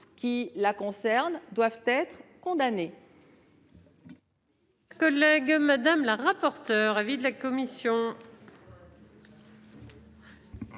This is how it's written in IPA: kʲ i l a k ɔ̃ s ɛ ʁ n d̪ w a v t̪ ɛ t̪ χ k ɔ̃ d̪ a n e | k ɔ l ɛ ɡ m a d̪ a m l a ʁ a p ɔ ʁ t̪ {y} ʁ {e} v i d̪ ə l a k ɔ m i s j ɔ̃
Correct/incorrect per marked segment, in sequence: incorrect: œ, incorrect: a

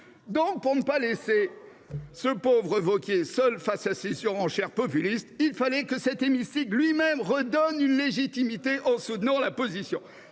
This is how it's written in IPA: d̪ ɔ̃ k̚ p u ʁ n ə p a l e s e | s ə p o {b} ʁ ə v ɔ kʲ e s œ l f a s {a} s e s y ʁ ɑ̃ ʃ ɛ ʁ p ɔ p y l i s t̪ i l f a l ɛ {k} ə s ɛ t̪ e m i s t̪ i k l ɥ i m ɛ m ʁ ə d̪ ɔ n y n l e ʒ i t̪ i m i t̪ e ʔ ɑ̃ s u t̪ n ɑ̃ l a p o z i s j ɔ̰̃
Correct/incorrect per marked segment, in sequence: incorrect: v, correct, correct

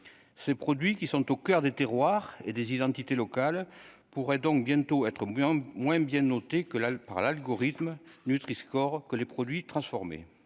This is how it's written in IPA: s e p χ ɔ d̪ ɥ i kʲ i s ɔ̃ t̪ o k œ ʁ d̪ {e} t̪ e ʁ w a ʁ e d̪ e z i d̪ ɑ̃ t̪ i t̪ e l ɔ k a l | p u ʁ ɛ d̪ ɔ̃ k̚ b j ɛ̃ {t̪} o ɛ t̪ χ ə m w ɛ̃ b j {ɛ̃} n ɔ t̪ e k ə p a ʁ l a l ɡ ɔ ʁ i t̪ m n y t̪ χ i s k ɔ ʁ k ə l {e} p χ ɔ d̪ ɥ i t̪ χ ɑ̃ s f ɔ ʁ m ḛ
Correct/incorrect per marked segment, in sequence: correct, correct, correct, correct

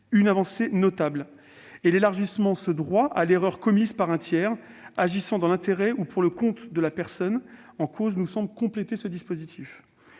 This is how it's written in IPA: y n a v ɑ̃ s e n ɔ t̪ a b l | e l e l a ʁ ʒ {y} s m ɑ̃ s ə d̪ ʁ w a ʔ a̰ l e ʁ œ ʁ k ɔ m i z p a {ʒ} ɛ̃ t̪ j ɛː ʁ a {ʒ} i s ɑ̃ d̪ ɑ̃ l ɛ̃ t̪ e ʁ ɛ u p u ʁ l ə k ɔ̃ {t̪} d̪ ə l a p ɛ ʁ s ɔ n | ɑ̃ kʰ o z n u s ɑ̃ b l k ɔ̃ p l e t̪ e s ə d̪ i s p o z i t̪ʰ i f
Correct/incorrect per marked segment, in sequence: incorrect: i, incorrect: ʁ, correct, correct

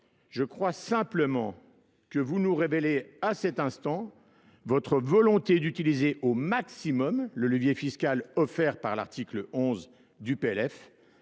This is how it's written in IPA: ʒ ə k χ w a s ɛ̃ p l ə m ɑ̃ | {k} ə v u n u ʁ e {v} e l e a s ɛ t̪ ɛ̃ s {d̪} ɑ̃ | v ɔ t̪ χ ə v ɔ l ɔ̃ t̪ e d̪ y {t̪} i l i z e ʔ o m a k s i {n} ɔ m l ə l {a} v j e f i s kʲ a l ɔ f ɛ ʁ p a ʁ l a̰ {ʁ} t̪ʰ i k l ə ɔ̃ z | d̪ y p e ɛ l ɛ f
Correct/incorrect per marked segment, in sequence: correct, correct, incorrect: t̪, correct, incorrect: m, incorrect: ə, correct

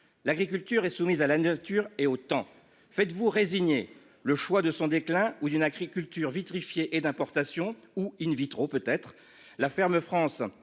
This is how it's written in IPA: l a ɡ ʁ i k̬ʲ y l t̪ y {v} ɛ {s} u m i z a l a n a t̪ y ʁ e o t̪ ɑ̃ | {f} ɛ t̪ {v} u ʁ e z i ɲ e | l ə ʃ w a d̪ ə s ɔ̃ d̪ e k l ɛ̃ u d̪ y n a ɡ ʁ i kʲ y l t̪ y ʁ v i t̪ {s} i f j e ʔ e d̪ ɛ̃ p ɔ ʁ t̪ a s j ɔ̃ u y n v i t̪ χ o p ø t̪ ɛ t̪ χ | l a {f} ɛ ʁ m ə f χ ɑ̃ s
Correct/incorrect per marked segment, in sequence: incorrect: ʁ, correct, correct, correct, incorrect: χ, correct

